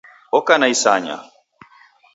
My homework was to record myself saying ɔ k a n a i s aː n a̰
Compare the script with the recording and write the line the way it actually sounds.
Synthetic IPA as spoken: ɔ k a n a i s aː ɲ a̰